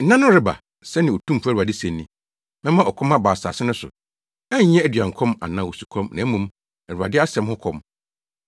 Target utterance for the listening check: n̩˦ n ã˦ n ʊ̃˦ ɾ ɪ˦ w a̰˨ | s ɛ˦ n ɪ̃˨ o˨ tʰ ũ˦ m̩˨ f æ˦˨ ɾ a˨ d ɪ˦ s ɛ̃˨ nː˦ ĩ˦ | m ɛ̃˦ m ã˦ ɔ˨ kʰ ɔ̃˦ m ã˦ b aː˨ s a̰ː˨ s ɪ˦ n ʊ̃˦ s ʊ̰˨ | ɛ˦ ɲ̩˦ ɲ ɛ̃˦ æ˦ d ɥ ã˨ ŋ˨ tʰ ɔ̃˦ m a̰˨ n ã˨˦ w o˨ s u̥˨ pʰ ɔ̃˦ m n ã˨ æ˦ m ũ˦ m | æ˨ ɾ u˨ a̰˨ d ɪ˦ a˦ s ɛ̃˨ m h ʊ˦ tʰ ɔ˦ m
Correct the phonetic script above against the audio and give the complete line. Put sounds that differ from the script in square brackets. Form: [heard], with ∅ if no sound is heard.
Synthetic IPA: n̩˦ n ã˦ n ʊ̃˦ ɾ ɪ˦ [b] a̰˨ | s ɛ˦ n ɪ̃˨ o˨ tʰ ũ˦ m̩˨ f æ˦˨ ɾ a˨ d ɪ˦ s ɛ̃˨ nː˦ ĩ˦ | m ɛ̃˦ m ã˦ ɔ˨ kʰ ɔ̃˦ m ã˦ b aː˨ s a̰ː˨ s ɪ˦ n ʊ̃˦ s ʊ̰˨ | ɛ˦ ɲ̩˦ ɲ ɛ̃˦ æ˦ d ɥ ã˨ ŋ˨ [kʰ] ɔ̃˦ m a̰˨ n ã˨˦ w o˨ s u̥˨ [kʰ] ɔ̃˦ m n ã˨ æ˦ m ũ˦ m | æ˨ ɾ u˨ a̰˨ d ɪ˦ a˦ s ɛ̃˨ m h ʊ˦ [kʰ] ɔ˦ m